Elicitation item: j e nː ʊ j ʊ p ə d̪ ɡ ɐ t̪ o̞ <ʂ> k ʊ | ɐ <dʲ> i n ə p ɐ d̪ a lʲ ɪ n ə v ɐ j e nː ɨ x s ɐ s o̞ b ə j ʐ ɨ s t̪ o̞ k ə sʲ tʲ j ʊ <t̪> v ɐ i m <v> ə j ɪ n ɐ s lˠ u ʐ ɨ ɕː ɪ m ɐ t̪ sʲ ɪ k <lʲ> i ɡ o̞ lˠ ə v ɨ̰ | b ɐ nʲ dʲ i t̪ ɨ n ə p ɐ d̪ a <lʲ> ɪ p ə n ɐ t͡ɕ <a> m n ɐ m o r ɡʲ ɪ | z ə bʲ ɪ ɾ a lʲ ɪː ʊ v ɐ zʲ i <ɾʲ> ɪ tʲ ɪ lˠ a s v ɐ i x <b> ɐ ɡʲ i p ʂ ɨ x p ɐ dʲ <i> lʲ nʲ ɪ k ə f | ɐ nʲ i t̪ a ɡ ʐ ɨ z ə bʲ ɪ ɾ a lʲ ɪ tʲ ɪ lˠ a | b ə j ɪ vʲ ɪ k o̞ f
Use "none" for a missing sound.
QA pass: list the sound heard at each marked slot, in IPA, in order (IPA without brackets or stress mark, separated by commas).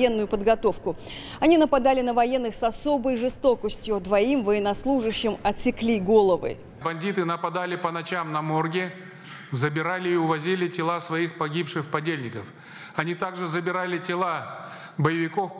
f, nʲ, d̪, v, lʲ, lʲ, a, lʲ, p, e